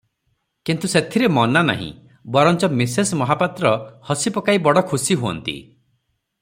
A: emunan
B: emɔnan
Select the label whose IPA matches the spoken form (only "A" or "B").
B